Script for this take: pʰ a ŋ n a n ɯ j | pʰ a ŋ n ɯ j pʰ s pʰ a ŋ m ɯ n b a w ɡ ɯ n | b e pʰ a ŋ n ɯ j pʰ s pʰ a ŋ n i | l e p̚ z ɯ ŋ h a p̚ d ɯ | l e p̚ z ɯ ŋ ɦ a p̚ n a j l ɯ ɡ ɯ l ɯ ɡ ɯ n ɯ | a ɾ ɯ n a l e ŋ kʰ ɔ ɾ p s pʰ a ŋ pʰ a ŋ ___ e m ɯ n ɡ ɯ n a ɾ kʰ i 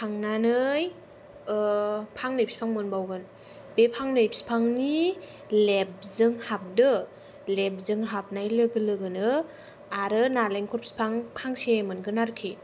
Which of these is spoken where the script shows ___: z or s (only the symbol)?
s